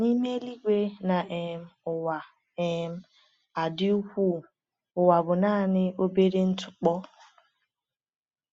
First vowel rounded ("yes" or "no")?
no